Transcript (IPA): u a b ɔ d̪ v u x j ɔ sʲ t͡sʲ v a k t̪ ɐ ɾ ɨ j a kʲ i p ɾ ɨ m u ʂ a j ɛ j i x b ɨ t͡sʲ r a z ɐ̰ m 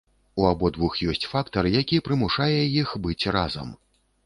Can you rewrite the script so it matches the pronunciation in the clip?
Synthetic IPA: u a b ɔ d̪ v u x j ɔ sʲ t͡sʲ f a k t̪ ɐ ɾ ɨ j a kʲ i p ɾ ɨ m u ʂ a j ɛ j i x b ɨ t͡sʲ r a z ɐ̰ m